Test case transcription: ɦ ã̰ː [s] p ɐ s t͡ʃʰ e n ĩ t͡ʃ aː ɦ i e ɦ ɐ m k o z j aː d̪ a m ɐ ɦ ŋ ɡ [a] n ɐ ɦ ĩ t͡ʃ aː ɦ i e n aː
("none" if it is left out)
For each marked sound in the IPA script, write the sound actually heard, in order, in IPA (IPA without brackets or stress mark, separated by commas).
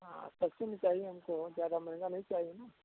s, a